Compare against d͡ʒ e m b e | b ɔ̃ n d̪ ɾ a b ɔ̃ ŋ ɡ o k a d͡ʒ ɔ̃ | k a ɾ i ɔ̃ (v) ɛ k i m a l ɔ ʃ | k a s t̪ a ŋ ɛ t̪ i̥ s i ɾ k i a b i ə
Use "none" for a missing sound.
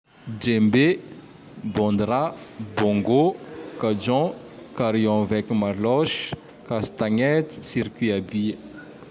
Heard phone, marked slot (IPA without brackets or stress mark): v